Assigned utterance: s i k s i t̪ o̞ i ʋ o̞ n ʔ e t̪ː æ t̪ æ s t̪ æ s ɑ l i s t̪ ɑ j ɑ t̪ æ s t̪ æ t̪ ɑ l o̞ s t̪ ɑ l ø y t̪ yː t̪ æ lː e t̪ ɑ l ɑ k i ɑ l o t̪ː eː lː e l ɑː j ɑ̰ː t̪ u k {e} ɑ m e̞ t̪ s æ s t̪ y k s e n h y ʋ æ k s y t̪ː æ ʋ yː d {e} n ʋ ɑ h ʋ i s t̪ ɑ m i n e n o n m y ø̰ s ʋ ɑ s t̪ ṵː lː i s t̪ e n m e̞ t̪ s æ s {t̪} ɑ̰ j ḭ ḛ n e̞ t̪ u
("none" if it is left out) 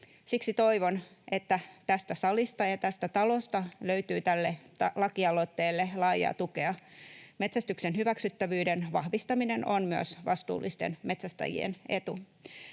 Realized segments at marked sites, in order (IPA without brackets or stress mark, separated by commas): e, e, t̪